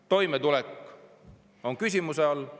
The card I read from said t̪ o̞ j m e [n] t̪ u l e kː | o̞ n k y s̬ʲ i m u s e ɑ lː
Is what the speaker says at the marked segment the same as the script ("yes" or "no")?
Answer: no